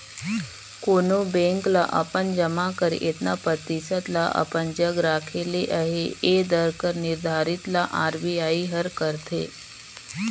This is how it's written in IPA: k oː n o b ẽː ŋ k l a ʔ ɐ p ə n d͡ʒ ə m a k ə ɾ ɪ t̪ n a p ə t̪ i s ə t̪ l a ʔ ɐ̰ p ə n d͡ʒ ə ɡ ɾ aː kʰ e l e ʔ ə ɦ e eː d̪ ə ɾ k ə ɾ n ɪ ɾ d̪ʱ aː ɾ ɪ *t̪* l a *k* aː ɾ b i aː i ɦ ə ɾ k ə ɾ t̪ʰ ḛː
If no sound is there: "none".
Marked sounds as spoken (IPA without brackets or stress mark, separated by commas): t̪, ʔ